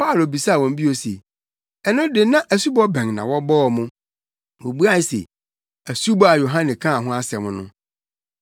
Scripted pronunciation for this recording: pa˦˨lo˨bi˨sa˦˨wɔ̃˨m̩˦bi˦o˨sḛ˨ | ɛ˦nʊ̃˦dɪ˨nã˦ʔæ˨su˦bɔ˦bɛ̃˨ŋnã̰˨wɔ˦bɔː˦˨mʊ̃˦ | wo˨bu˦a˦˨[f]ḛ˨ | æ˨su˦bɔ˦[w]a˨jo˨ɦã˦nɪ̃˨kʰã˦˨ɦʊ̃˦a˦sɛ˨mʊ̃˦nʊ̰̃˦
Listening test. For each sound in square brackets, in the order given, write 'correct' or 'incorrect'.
incorrect, incorrect

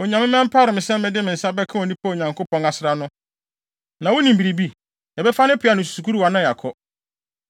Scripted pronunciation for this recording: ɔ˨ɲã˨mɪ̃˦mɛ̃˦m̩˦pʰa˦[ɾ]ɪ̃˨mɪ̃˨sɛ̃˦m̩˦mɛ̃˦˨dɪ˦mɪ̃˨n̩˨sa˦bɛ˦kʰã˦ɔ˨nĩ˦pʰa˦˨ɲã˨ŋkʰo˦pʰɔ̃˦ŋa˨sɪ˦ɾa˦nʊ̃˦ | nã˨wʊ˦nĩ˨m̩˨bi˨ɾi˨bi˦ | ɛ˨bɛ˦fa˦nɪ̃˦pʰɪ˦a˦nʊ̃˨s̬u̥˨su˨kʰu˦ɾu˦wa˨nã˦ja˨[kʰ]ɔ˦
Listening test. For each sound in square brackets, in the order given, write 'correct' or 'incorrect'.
correct, correct

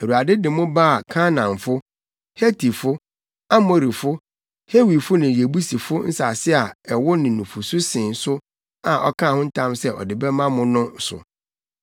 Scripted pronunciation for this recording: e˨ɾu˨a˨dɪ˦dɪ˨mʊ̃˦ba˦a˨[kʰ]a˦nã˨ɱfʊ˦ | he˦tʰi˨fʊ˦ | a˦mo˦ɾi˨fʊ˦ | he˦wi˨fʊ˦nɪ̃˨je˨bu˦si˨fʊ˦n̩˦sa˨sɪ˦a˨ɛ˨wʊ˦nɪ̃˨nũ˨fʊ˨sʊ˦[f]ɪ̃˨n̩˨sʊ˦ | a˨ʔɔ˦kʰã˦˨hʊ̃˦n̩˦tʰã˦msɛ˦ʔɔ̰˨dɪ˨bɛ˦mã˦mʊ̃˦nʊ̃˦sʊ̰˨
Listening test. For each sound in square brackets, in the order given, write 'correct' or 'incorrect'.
correct, incorrect

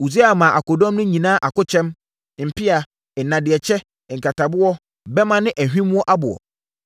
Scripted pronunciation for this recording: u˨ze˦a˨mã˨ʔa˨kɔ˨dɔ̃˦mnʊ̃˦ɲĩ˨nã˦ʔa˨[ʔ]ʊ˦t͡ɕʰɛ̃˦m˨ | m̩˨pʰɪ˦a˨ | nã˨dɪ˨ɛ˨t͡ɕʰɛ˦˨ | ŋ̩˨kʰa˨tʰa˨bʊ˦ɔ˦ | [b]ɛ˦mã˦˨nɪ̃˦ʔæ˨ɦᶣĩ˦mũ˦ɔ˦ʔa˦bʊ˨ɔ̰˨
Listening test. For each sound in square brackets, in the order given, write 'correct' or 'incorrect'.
incorrect, correct

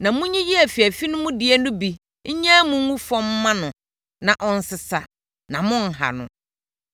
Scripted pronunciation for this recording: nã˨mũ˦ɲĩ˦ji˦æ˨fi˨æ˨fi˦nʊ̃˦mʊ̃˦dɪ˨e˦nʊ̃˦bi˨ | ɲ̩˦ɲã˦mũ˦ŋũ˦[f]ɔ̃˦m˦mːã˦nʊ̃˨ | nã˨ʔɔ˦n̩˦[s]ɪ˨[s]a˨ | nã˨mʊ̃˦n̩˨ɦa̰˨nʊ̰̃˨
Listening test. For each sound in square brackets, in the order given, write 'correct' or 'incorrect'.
correct, correct, correct

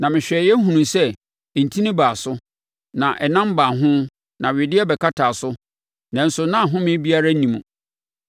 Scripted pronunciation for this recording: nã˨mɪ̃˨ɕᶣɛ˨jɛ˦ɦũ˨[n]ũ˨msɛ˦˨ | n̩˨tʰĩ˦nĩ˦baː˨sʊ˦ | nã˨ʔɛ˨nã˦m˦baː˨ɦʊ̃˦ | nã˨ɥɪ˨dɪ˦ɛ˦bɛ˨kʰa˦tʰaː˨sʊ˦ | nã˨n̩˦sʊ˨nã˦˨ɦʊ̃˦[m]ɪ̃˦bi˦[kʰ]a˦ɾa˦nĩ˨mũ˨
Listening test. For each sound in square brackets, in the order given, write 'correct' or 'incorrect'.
correct, correct, incorrect

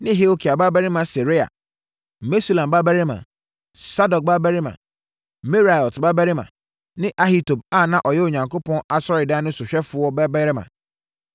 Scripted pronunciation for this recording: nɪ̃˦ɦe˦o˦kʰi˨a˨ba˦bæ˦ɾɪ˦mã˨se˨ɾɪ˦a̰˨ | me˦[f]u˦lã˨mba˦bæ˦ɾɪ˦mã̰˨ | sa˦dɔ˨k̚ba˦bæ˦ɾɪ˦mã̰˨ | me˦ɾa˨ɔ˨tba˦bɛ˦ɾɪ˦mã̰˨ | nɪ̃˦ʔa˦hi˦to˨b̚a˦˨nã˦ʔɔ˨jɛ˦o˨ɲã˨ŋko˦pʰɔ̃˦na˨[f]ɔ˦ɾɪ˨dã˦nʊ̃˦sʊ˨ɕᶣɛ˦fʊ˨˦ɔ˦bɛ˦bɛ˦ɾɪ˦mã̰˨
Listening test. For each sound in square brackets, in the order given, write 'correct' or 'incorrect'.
incorrect, incorrect

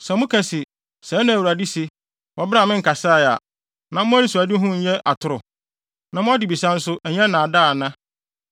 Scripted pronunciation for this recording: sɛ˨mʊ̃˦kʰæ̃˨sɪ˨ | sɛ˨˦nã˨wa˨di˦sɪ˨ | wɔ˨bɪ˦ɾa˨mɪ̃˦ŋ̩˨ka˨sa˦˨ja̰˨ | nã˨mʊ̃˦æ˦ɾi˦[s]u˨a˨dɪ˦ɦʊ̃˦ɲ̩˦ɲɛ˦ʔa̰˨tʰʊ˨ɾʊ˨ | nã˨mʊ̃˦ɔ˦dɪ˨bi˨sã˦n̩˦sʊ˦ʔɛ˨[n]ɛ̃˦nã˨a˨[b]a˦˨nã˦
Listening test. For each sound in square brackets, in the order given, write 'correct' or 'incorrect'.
correct, incorrect, incorrect

